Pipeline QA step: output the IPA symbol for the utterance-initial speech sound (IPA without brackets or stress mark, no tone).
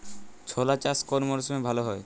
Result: t͡ɕʰ